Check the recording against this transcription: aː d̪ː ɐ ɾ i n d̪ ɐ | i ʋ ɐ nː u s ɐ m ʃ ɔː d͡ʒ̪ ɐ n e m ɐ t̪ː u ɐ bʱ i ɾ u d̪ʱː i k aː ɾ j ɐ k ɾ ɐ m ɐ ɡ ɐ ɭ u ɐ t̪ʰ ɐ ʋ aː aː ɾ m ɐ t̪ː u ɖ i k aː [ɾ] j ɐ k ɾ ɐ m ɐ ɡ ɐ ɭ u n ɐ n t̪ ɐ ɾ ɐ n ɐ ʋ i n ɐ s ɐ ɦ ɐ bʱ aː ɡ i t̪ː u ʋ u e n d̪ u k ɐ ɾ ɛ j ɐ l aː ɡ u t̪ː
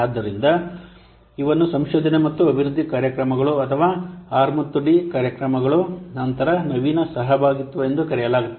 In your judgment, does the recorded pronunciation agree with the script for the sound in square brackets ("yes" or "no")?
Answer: yes